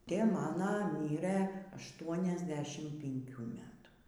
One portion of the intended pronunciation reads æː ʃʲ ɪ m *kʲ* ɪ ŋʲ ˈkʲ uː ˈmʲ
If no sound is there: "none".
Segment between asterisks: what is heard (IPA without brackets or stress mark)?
pʲ